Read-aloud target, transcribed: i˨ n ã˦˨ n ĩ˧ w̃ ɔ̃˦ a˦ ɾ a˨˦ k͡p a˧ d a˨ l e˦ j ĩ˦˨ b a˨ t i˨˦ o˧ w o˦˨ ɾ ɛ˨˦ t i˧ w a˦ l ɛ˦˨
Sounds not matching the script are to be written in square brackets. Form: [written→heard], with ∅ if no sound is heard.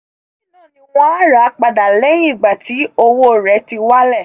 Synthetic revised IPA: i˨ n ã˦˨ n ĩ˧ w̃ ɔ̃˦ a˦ ɾ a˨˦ k͡p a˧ d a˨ l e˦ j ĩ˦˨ [b→ɡ͡b] a˨ t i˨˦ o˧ w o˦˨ ɾ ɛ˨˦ t i˧ w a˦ l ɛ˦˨